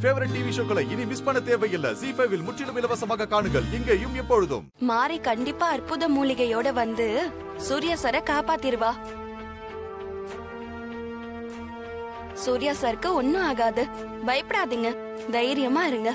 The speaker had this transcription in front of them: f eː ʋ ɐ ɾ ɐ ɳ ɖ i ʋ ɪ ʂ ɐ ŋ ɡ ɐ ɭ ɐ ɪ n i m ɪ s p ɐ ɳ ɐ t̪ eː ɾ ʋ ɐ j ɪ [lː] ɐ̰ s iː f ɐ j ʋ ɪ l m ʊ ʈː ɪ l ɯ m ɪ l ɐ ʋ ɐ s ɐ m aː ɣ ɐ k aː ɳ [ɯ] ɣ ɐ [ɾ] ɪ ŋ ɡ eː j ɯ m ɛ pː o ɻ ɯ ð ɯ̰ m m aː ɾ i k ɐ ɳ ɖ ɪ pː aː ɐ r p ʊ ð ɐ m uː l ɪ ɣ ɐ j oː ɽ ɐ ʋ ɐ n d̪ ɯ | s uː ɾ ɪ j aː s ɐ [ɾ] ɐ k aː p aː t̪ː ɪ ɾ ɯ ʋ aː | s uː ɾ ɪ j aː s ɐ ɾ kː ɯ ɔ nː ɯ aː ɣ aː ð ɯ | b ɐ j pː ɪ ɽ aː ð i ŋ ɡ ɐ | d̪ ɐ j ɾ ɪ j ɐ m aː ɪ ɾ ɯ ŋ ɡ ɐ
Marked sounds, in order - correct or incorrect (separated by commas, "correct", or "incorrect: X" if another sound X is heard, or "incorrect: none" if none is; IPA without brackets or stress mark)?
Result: correct, correct, incorrect: ɭ, correct